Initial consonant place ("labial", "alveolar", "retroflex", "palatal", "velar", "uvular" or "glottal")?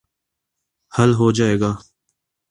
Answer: glottal